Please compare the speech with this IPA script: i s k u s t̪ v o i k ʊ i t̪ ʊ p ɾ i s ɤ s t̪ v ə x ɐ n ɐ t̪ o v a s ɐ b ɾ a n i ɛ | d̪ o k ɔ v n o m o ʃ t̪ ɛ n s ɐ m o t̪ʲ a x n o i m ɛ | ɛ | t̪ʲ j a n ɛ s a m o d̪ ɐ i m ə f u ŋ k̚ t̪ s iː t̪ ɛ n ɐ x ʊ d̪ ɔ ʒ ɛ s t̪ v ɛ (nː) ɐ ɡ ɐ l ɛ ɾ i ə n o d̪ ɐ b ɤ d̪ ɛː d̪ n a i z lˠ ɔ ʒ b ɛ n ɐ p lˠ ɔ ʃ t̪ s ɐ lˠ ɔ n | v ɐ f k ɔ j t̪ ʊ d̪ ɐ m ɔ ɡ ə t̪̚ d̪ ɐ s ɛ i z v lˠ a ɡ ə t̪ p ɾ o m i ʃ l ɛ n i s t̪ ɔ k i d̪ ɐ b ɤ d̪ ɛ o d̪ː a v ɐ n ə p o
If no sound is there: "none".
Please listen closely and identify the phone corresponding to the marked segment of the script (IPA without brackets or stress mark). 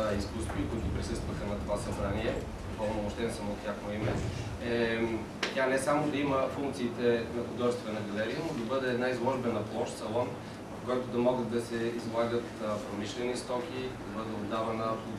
n